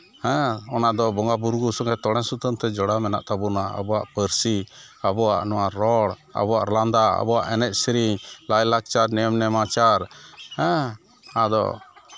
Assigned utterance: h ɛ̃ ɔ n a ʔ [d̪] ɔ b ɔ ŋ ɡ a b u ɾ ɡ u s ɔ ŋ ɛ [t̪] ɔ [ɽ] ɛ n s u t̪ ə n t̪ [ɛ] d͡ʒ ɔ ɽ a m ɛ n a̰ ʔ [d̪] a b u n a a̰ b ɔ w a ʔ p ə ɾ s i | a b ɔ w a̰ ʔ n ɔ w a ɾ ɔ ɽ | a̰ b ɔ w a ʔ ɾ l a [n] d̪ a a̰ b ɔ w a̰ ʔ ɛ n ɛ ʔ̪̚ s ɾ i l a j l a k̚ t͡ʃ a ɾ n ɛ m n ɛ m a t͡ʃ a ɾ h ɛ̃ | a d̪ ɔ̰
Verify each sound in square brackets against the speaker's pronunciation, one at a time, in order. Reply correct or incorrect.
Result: correct, correct, correct, correct, incorrect, correct

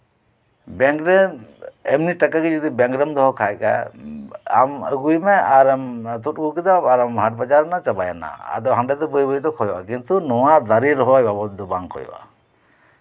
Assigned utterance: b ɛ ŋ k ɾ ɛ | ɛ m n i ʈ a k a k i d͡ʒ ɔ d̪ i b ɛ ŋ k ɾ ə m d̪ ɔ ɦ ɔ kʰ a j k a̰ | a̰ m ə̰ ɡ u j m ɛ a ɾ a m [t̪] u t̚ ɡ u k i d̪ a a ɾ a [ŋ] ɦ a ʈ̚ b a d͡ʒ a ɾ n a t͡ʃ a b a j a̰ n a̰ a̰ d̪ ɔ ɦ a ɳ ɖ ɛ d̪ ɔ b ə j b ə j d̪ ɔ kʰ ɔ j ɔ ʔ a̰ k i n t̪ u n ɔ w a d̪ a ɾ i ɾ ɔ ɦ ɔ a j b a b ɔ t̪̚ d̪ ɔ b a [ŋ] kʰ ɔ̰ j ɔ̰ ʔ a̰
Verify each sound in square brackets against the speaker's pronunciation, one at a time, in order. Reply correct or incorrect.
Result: correct, incorrect, correct

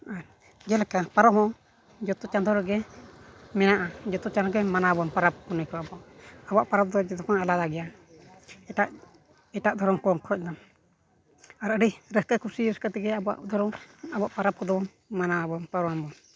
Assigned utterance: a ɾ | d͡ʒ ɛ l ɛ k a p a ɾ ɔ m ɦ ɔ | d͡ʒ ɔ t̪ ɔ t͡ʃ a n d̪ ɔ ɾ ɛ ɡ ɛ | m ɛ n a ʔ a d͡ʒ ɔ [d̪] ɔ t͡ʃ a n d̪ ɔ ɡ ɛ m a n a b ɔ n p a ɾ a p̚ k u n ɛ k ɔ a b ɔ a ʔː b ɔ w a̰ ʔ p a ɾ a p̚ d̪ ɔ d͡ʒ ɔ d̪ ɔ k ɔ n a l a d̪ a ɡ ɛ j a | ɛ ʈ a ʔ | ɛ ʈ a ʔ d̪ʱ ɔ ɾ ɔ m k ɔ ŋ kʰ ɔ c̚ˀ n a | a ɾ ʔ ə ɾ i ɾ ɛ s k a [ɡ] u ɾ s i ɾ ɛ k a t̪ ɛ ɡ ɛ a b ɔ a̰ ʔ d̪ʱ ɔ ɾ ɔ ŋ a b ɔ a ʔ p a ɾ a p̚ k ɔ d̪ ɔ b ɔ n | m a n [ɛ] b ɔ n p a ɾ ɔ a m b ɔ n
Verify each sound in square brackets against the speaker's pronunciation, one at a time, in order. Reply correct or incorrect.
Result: incorrect, incorrect, incorrect

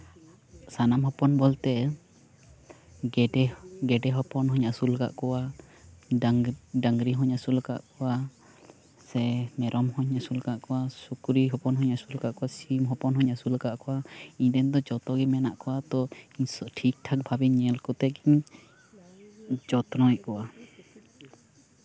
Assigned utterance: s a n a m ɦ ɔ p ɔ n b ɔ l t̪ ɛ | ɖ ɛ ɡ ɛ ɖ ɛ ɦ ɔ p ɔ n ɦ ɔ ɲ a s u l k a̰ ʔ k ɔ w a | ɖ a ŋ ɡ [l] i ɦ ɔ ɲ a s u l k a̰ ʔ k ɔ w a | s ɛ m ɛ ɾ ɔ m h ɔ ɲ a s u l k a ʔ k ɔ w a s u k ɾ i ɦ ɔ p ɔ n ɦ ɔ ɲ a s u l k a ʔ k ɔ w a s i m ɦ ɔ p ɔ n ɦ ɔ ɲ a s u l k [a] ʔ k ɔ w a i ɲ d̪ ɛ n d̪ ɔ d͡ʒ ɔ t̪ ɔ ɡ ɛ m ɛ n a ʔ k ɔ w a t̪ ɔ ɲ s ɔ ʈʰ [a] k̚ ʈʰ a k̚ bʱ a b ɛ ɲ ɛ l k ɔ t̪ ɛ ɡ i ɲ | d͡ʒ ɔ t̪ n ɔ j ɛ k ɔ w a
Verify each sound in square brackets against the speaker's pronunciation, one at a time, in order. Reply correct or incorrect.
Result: incorrect, correct, incorrect

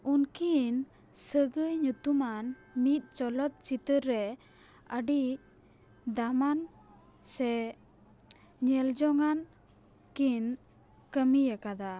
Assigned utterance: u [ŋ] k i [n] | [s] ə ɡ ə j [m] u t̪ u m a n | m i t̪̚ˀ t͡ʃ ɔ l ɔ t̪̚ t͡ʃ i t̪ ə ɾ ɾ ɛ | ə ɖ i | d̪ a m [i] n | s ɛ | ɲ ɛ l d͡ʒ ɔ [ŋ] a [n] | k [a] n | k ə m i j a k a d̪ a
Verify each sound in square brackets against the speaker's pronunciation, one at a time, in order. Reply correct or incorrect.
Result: incorrect, correct, correct, incorrect, incorrect, correct, correct, incorrect

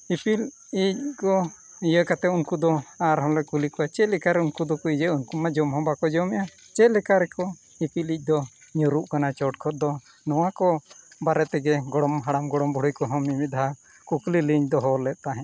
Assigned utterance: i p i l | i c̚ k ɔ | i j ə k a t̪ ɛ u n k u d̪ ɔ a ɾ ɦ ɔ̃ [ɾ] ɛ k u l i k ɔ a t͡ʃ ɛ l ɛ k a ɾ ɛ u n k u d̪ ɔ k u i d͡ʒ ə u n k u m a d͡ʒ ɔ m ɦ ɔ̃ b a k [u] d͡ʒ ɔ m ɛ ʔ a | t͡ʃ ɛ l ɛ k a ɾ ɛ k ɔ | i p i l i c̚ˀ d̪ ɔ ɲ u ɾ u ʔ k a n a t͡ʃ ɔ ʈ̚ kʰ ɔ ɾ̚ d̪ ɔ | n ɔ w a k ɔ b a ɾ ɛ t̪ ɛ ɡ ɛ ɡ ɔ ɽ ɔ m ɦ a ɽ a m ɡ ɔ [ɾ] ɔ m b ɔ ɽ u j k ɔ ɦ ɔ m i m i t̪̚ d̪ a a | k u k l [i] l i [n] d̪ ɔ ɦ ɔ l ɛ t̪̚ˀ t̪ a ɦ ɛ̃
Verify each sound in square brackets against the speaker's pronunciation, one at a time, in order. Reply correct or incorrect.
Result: incorrect, incorrect, incorrect, correct, incorrect

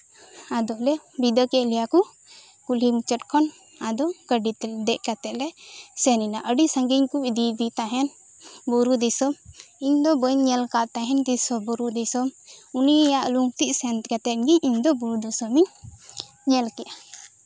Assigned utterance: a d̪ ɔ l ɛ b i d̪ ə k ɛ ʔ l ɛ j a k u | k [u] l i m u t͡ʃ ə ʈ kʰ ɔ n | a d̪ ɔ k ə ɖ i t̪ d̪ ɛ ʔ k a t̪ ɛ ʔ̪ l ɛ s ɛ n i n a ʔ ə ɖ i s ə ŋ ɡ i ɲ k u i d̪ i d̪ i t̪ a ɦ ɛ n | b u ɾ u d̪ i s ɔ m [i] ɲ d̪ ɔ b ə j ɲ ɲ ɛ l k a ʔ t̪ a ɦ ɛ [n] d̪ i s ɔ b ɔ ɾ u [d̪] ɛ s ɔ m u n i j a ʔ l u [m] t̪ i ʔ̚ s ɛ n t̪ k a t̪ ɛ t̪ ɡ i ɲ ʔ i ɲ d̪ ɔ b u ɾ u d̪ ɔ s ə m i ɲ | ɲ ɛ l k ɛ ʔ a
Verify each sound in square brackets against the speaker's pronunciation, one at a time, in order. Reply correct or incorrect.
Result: correct, correct, correct, correct, incorrect

